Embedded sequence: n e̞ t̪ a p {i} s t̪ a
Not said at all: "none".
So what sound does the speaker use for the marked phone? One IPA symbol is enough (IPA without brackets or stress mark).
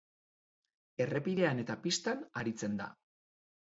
i